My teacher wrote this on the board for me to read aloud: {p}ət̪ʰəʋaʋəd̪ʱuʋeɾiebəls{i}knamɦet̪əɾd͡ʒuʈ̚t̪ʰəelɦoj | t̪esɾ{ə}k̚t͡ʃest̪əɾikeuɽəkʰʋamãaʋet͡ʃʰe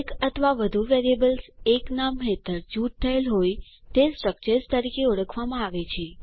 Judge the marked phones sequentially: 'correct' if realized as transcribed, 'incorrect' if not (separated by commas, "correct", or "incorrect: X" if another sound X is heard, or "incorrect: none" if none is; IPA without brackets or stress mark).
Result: incorrect: k, incorrect: e, correct